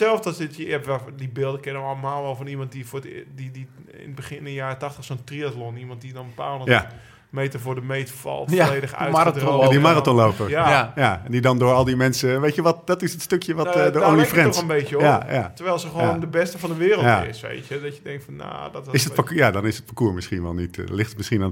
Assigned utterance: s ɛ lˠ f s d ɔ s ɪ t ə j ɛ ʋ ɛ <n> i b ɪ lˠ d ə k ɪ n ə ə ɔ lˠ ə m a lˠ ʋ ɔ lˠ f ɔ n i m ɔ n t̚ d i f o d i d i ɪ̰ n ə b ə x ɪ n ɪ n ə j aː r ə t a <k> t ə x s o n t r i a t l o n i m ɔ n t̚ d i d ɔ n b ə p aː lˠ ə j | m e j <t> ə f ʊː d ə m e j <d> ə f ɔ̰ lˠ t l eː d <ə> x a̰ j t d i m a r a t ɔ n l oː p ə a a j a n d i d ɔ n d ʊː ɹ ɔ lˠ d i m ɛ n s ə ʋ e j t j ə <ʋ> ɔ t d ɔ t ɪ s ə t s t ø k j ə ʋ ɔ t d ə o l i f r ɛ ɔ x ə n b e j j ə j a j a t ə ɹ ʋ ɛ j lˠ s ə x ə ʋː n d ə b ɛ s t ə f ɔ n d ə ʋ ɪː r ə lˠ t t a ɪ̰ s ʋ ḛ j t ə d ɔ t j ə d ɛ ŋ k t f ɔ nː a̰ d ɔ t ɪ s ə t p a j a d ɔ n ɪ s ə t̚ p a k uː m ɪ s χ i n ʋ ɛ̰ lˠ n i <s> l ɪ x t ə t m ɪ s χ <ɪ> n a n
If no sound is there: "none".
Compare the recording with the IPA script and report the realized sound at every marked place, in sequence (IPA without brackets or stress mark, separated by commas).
d, x, t, t, ə, ʋ, t, i